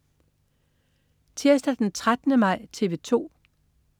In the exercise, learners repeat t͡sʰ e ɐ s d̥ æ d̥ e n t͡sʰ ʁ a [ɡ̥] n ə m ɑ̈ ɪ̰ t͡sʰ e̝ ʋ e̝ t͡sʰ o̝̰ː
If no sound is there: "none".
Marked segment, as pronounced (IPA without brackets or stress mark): d̥